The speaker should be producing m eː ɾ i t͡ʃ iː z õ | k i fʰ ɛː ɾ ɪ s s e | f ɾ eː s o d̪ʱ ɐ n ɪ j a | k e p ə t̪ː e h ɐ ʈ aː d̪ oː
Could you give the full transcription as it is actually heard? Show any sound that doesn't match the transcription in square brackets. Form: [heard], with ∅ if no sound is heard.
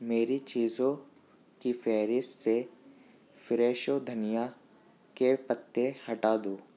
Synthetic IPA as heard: m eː ɾ i t͡ʃ iː z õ | k i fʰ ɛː ɾ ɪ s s e | f ɾ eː [ʃ] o d̪ʱ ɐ n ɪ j a | k e p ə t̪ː e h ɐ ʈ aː d̪ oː